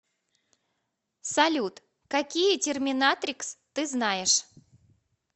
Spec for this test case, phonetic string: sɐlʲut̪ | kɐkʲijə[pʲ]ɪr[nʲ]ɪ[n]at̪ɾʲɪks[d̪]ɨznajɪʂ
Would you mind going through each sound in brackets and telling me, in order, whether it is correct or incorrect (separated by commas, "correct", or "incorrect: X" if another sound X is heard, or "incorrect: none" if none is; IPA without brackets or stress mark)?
incorrect: tʲ, incorrect: mʲ, correct, incorrect: t̪